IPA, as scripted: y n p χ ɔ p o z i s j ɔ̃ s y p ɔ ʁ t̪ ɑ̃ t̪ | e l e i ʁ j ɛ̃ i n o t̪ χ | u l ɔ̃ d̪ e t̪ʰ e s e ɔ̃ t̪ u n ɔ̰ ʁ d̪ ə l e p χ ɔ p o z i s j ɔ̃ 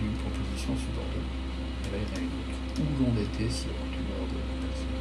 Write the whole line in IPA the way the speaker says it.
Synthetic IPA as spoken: y n p χ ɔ p o z i s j ɔ̃ s y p ɔ ʁ t̪ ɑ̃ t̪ | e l a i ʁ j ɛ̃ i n o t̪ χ | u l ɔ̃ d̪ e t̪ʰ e s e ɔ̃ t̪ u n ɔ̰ ʁ d̪ ə l a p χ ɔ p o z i s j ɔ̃

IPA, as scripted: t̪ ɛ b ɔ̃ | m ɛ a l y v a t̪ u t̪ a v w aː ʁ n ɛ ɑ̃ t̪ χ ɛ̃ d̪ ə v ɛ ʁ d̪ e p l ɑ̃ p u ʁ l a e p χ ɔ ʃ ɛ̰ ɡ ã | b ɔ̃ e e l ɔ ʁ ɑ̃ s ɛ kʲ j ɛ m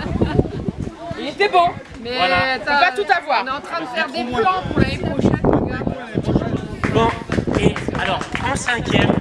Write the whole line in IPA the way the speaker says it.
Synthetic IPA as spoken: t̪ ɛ b ɔ̃ | m ɛ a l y v a t̪ u t̪ a v w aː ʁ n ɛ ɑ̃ t̪ χ ɛ̃ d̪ ə f ɛ ʁ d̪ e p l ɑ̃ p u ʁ l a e p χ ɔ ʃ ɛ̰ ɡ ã | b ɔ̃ e a l ɔ ʁ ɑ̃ s ɛ̃ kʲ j ɛ m

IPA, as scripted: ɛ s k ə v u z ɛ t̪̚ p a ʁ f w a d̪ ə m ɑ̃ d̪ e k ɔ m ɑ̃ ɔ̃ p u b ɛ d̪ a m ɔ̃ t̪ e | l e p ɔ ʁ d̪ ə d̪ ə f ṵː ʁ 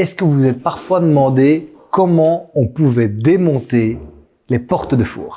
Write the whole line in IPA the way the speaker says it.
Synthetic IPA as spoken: ɛ s k ə v u z ɛ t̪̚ p a ʁ f w a d̪ ə m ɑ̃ d̪ e k ɔ m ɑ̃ ɔ̃ p u v ɛ d̪ e m ɔ̃ t̪ e | l e p ɔ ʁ t̪ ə d̪ ə f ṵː ʁ

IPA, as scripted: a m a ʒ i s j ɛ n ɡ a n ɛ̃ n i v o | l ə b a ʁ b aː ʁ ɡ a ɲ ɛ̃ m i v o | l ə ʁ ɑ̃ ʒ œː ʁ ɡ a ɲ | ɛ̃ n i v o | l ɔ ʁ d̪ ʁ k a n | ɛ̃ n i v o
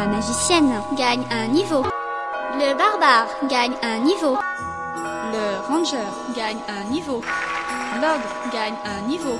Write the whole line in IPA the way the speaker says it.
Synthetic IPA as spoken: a m a ʒ i s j ɛ n ɡ a ɲ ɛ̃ n i v o | l ə b a ʁ b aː ʁ ɡ a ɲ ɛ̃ n i v o | l ə ʁ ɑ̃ ʒ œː ʁ ɡ a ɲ | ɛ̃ n i v o | l ɔ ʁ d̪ ʁ ɡ a ɲ | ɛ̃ n i v o

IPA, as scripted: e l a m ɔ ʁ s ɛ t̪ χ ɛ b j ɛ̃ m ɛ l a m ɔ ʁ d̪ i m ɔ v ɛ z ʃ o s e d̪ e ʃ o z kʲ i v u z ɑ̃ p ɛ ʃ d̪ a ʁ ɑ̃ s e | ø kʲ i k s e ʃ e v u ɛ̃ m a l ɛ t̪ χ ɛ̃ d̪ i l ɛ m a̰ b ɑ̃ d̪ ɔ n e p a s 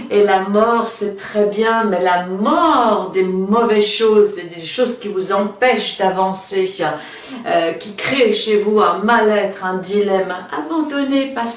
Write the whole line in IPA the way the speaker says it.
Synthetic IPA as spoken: e l a m ɔ ʁ s ɛ t̪ χ ɛ b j ɛ̃ m ɛ l a m ɔ ʁ d̪ e m ɔ v ɛ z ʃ o z e d̪ e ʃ o z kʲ i v u z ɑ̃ p ɛ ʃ d̪ a v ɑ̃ s e | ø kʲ i k χ e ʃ e v u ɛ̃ m a l ɛ t̪ χ ɛ̃ d̪ i l ɛ m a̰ b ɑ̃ d̪ ɔ n e p a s

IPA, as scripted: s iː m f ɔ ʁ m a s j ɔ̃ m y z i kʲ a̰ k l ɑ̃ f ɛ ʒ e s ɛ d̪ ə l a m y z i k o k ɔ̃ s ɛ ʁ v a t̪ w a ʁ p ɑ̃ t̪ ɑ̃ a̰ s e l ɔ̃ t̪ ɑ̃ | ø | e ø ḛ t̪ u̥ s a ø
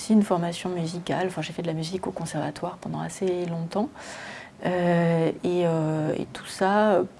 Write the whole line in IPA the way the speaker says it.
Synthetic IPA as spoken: s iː n f ɔ ʁ m a s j ɔ̃ m y z i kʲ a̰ l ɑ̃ f ɛ̃ ʒ e f ɛ d̪ ə l a m y z i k o k ɔ̃ s ɛ ʁ v a t̪ w a ʁ p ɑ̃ d̪ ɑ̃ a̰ s e l ɔ̃ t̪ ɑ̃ | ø | e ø ḛ t̪ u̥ s a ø

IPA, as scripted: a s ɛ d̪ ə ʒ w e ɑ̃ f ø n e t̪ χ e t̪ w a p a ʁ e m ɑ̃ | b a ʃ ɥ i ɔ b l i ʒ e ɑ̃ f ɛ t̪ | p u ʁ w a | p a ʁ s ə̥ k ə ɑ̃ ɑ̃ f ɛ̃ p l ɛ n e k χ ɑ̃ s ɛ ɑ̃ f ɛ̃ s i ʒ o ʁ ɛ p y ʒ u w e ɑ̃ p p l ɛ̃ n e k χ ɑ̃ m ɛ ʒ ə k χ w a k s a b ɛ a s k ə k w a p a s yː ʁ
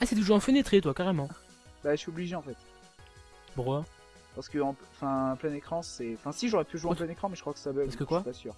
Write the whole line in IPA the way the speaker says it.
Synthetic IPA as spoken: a s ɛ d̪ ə ʒ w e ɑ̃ f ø n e t̪ χ e t̪ w a k a ʁ e m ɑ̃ | b a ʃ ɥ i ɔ b l i ʒ e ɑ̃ f ɛ t̪ | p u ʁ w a | p a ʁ s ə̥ k ə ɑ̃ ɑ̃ f ɛ̃ p l ɛ n e k χ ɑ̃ s ɛ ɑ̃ f ɛ̃ s i ʒ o ʁ ɛ p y ʒ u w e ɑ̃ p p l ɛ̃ n e k χ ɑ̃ m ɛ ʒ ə k χ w a k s a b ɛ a s k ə k w a p a s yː ʁ

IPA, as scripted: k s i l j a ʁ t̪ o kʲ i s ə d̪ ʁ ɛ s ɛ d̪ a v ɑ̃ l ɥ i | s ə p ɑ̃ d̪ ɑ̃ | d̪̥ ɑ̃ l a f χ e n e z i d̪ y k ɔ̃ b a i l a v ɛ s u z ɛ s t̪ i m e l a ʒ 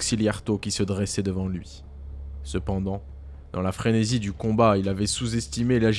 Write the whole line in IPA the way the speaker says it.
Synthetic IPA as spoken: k s i l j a ʁ t̪ o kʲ i s ə d̪ ʁ ɛ s ɛ d̪ ə v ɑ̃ l ɥ i | s ə p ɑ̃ d̪ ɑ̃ | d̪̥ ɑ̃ l a f χ e n e z i d̪ y k ɔ̃ b a i l a v ɛ s u z ɛ s t̪ i m e l a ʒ

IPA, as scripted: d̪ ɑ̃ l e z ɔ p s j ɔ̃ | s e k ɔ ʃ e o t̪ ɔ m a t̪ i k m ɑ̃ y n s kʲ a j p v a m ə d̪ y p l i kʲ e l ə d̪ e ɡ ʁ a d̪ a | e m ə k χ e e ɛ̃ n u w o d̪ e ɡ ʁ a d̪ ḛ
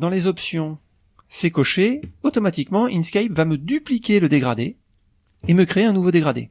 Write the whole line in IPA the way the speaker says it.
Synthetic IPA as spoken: d̪ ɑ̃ l e z ɔ p s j ɔ̃ | s e k ɔ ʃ e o t̪ ɔ m a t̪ i k m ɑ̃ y n s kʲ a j p v a m ə d̪ y p l i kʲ e l ə d̪ e ɡ ʁ a d̪ e | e m ə k χ e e ɛ̃ n u v o d̪ e ɡ ʁ a d̪ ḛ

